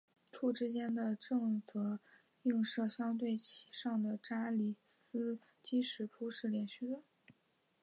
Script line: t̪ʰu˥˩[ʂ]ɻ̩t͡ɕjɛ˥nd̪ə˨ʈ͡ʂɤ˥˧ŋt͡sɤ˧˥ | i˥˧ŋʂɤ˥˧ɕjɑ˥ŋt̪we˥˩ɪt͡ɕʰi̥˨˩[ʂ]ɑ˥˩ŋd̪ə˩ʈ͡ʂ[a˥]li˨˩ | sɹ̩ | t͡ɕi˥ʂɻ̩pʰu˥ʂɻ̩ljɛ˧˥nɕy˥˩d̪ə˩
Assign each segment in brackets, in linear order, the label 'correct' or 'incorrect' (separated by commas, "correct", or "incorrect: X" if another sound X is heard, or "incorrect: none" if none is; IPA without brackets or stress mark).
incorrect: ʈ͡ʂ, correct, correct